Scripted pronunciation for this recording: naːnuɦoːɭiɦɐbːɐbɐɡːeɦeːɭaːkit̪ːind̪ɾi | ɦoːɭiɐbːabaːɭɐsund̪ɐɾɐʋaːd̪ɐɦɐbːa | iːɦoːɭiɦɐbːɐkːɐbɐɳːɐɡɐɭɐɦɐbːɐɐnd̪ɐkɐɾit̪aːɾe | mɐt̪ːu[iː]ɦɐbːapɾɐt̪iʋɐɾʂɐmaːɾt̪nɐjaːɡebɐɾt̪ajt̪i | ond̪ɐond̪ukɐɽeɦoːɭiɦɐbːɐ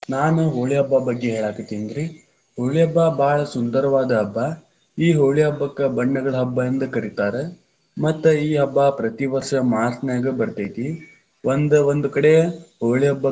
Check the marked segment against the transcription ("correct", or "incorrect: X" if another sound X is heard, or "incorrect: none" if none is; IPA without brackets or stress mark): correct